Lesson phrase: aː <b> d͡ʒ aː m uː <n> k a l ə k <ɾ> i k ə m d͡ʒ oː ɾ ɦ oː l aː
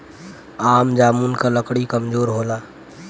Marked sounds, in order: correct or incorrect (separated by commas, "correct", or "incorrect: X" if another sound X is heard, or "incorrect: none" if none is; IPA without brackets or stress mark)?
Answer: incorrect: m, correct, incorrect: ɽ